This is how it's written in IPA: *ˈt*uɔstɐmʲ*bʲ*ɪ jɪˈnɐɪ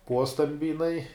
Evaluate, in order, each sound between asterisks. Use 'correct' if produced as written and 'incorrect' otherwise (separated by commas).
incorrect, correct